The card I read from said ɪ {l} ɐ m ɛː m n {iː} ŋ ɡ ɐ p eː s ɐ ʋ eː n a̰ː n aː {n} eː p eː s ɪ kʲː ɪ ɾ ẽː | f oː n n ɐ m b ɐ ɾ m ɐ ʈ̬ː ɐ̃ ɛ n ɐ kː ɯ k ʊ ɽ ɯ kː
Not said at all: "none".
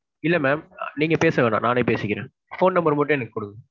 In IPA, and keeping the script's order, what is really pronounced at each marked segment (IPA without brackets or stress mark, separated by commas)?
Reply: lː, iː, n